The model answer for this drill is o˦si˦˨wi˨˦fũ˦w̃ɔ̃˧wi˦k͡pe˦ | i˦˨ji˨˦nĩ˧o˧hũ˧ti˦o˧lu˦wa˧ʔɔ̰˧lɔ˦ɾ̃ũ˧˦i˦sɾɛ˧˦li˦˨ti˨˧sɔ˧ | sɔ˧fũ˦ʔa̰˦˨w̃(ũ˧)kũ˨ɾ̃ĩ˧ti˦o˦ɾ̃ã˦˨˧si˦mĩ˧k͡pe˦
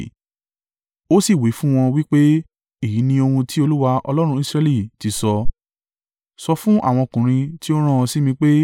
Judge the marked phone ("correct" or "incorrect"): incorrect